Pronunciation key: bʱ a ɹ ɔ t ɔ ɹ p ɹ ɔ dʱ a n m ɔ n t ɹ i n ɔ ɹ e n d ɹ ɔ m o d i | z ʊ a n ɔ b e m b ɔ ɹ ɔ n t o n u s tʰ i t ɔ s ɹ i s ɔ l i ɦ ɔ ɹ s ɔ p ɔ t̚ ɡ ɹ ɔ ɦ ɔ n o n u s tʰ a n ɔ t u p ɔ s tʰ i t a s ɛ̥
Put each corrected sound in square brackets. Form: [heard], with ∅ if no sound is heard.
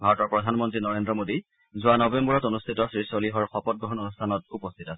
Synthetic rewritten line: bʱ a ɹ ɔ t ɔ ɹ p ɹ ɔ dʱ a n m ɔ n t ɹ i n ɔ ɹ e n d ɹ ɔ m o d i | z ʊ a n ɔ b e m b ɔ ɹ ɔ [∅] t o n u s tʰ i t ɔ s ɹ i s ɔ l i ɦ ɔ ɹ [x] ɔ p ɔ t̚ ɡ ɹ ɔ ɦ ɔ n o n u s tʰ a n ɔ t u p ɔ s tʰ i t a s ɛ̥